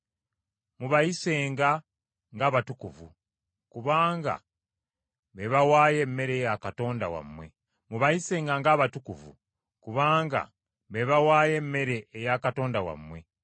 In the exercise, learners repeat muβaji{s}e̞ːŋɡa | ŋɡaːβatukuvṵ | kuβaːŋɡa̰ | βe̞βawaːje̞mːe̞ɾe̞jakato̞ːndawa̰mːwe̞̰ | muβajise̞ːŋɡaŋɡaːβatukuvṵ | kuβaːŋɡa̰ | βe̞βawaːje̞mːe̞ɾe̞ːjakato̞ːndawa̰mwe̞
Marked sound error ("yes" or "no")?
no